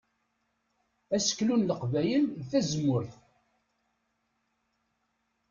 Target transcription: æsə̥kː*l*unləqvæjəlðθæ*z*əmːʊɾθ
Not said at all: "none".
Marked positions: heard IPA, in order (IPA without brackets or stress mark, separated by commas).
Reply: l, z